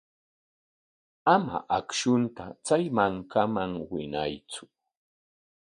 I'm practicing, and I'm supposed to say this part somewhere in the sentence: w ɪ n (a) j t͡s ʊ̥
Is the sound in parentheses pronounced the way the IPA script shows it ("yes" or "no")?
yes